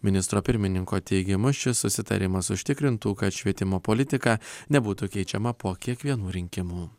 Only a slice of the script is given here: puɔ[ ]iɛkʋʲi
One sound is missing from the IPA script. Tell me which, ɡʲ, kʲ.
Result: kʲ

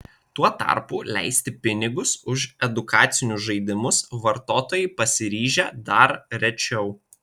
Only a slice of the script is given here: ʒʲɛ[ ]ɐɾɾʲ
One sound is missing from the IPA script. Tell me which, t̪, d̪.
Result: d̪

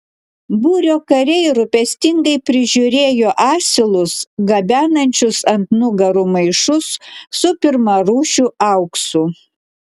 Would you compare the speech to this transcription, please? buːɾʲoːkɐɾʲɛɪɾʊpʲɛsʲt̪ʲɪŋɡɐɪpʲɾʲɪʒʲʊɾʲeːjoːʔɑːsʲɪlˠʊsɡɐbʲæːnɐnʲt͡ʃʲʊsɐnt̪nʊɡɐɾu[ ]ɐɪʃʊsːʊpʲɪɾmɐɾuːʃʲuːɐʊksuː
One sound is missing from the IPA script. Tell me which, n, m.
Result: m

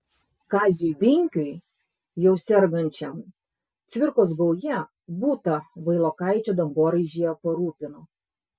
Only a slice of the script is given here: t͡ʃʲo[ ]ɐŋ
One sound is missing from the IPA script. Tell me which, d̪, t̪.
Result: d̪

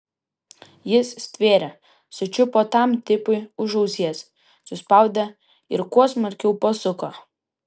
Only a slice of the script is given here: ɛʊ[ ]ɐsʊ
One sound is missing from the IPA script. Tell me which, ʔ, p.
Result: p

